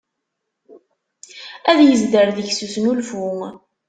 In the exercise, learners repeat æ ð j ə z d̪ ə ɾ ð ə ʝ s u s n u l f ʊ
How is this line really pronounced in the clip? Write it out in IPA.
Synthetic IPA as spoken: æ ð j ə z d̪ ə ɾ ð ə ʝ s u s n u l f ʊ